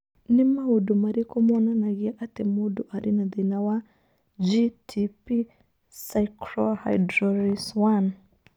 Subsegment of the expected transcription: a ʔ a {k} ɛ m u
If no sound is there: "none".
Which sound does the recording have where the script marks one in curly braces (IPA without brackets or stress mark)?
t